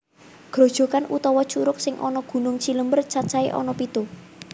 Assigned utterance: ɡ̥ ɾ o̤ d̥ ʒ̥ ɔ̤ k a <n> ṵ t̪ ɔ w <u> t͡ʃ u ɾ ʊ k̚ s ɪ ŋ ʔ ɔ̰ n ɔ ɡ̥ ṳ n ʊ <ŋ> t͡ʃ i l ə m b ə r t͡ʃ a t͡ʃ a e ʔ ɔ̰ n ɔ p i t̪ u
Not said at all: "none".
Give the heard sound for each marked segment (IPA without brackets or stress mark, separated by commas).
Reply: n, ɔ, ŋ